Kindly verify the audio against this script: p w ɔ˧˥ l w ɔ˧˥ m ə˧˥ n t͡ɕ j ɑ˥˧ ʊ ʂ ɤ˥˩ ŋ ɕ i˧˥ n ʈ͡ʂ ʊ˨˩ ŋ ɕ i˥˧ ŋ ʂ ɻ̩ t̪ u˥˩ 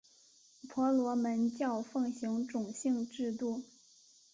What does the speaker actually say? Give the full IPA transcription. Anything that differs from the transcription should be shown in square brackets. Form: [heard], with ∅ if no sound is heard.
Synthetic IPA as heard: [pʰ] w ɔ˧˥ l w ɔ˧˥ m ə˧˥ n t͡ɕ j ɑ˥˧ ʊ [f] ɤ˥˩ ŋ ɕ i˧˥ [ŋ] ʈ͡ʂ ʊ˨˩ ŋ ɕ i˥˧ ŋ [ʈ͡ʂ] ɻ̩ t̪ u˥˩